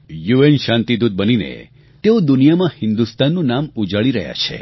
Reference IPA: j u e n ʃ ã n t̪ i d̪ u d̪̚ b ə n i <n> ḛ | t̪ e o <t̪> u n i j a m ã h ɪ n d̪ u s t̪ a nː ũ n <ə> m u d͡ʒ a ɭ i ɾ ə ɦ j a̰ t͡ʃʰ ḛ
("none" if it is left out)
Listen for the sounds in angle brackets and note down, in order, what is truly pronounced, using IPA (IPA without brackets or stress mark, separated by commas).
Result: n, d̪, a